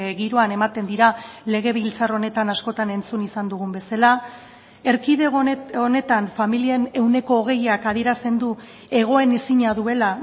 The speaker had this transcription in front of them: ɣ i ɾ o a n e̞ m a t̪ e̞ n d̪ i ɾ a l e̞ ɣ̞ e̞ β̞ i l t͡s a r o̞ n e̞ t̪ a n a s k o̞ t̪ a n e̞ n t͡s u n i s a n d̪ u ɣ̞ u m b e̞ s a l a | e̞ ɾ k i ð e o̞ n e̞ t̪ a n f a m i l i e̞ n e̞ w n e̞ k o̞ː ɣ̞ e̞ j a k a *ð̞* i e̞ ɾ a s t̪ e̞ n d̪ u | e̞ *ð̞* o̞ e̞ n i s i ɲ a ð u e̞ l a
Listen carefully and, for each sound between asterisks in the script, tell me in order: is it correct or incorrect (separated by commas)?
correct, incorrect